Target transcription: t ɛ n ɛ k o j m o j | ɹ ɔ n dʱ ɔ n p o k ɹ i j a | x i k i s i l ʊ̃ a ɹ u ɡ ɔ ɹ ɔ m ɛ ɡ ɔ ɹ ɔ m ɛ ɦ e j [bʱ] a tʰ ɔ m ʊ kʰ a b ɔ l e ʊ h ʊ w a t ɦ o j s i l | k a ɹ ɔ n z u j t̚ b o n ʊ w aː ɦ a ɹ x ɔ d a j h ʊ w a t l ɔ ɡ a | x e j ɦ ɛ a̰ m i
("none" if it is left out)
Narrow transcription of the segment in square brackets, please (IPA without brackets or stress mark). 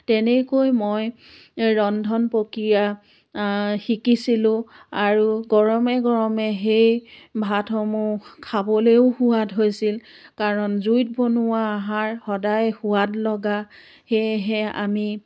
bʱ